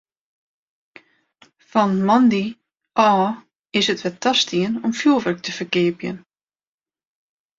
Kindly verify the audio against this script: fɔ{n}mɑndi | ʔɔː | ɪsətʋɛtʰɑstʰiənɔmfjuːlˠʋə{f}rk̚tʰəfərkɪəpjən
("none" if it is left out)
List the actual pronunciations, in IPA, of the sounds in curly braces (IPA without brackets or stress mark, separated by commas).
n, none